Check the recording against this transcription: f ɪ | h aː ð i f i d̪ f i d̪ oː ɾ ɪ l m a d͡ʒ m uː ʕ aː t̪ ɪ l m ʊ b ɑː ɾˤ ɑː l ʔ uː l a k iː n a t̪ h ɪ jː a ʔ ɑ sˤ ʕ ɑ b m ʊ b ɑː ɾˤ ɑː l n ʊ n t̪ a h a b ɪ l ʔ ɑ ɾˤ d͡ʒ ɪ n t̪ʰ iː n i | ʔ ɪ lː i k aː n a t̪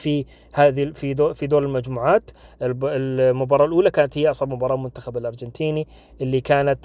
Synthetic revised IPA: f i | h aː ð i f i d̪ f i d̪ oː ɾ ɪ l m a d͡ʒ m uː ʕ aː t̪ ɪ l m ʊ b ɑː ɾˤ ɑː l ʔ uː l a k aː n a t̪ h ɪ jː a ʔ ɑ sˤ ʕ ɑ b m ʊ b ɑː ɾˤ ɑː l m ʊ n t̪ a x a b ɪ l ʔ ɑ ɾˤ d͡ʒ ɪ n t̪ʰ iː n i | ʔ ɪ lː i k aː n a t̪